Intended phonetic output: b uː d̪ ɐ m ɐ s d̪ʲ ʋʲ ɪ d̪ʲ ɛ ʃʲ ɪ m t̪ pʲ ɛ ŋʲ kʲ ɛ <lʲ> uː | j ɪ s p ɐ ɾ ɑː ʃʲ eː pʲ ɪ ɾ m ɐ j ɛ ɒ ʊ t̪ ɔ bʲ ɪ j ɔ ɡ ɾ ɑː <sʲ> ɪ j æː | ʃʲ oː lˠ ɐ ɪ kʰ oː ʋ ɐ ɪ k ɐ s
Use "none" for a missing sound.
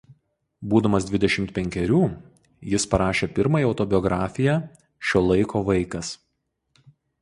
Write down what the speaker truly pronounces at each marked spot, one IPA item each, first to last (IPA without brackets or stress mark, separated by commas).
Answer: ɾʲ, fʲ